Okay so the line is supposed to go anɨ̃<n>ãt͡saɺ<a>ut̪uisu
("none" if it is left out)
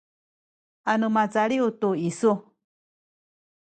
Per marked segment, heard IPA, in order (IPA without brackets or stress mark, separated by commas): m, i